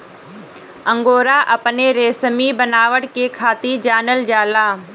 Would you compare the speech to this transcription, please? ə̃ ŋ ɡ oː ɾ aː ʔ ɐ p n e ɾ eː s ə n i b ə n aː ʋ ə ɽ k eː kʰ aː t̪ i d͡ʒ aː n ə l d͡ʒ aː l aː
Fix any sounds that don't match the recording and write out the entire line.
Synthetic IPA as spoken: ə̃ ŋ ɡ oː ɾ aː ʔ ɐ p n e ɾ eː s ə m i b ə n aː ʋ ə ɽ k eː kʰ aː t̪ i d͡ʒ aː n ə l d͡ʒ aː l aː